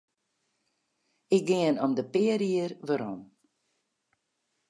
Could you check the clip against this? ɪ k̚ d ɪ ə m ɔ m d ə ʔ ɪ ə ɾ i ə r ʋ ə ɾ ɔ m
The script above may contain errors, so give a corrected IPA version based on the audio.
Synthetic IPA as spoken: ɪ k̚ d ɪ ə n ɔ m d ə p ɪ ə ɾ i ə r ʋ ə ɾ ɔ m